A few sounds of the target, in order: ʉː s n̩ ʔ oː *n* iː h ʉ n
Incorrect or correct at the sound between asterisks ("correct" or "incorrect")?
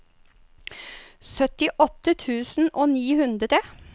correct